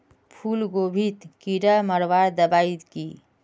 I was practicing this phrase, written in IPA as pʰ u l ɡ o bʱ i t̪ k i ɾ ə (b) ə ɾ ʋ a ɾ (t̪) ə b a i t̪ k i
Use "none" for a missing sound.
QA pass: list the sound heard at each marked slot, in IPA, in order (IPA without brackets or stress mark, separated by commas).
m, d̪